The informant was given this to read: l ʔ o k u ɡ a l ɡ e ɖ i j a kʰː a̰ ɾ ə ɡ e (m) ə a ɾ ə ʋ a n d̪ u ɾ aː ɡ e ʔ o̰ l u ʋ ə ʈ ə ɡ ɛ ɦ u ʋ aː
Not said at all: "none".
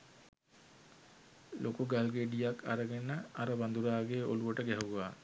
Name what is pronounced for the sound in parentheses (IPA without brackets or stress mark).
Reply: n